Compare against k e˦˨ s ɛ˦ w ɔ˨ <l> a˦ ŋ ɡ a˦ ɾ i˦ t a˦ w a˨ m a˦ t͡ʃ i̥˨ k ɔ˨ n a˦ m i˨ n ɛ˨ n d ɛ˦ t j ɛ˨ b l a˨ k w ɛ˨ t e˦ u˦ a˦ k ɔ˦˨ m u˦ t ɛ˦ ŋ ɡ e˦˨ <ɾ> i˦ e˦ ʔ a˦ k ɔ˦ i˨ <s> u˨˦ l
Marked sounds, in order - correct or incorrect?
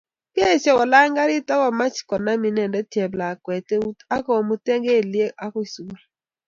correct, incorrect, correct

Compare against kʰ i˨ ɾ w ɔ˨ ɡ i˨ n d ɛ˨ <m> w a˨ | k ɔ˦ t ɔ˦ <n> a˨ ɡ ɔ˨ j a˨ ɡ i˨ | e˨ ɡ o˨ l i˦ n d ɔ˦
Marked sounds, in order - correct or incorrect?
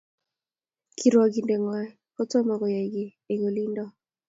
incorrect, incorrect

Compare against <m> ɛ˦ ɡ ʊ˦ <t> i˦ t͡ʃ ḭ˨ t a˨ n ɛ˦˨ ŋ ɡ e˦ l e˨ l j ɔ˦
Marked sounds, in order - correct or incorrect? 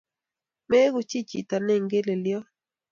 correct, incorrect

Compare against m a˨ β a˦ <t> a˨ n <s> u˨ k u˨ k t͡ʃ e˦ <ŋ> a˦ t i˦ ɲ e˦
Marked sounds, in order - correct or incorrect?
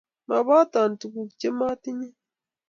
correct, incorrect, incorrect

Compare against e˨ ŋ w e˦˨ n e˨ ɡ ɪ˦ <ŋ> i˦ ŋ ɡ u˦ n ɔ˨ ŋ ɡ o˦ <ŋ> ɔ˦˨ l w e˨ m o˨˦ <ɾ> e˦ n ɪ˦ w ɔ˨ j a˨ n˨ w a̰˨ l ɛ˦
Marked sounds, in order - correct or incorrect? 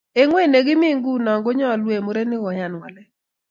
incorrect, incorrect, correct

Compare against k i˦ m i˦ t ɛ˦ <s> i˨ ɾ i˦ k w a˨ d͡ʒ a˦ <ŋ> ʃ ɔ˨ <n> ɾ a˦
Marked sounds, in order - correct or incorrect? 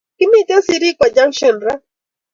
correct, correct, correct

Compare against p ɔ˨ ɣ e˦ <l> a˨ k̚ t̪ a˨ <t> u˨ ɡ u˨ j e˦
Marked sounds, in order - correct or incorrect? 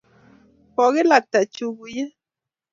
correct, incorrect

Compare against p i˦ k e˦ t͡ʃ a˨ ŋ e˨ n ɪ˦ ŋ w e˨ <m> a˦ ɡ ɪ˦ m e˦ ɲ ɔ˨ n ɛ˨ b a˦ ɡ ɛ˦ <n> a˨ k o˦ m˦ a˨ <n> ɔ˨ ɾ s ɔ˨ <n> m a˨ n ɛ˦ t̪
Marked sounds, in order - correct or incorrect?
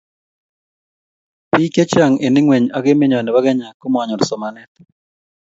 incorrect, incorrect, incorrect, incorrect

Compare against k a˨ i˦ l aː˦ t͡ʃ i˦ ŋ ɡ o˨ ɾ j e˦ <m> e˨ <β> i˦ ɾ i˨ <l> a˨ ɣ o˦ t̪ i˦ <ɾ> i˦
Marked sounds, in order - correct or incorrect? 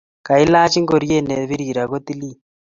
incorrect, correct, incorrect, incorrect

